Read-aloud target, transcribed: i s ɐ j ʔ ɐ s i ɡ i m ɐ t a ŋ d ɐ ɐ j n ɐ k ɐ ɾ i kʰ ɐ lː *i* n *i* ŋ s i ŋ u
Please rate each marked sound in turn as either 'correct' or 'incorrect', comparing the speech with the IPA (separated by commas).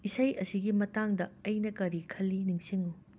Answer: correct, correct